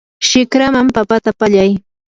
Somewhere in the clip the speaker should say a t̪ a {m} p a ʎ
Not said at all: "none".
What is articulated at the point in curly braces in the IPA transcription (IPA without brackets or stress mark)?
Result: none